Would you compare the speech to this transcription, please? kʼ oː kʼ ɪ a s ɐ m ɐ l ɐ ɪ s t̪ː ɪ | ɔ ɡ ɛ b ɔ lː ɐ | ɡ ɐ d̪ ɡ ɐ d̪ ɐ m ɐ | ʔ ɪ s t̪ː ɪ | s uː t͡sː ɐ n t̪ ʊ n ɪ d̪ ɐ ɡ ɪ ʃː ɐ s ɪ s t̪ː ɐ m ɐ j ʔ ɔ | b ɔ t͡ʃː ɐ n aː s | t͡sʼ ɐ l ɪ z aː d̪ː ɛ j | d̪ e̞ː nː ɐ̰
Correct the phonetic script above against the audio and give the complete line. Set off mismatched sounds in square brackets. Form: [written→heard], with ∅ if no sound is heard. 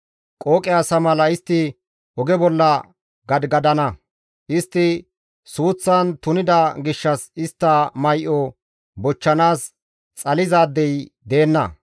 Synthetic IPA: kʼ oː kʼ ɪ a s ɐ m ɐ l ɐ ɪ s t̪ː ɪ | ɔ ɡ ɛ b ɔ lː ɐ | ɡ ɐ d̪ ɡ ɐ d̪ ɐ [m→n] ɐ | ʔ ɪ s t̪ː ɪ | s uː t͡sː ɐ n t̪ ʊ n ɪ d̪ ɐ ɡ ɪ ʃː ɐ s ɪ s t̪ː ɐ m ɐ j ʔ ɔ | b ɔ t͡ʃː ɐ n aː s | t͡sʼ ɐ l ɪ z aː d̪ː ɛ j | d̪ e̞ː nː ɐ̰